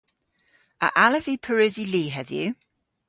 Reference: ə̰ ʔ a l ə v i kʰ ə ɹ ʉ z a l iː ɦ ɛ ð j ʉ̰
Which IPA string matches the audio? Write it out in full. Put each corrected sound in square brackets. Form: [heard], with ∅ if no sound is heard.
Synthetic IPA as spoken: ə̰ ʔ a l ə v i [pʰ] ə ɹ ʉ z [i] l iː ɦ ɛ ð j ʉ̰